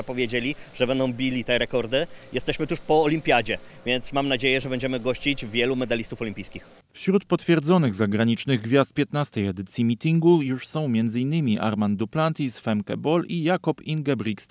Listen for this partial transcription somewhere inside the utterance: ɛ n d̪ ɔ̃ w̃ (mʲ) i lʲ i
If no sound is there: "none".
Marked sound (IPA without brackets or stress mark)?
bʲ